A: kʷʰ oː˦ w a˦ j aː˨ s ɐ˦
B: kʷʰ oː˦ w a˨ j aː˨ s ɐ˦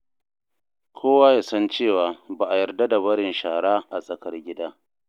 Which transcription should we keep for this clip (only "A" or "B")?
A